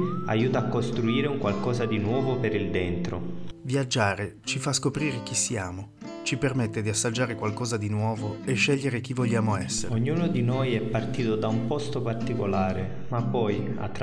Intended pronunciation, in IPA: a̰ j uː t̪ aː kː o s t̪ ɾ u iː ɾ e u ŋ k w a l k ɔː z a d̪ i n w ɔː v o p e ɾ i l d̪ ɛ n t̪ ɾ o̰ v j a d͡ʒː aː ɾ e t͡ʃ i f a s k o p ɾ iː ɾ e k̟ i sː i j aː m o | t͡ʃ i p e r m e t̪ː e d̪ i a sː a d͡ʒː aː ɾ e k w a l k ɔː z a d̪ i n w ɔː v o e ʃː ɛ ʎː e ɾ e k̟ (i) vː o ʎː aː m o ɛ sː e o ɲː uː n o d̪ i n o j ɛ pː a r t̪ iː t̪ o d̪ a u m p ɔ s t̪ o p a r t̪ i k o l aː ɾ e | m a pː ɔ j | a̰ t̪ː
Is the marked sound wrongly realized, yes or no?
no